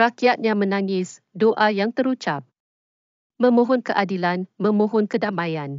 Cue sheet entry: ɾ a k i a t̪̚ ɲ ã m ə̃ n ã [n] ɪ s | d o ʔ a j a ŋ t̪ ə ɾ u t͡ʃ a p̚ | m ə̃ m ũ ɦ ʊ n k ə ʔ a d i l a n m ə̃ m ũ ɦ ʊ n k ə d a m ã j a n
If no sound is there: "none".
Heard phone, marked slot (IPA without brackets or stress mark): ŋ